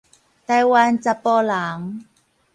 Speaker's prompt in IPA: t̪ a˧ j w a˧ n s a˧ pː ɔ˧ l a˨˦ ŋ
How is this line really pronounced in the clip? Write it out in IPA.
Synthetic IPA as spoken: t̪ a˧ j w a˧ n t͡s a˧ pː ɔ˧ l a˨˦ ŋ